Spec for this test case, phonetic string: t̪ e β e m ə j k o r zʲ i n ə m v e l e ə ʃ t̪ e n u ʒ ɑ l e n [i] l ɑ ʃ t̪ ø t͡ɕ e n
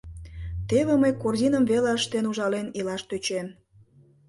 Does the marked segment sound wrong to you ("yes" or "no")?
no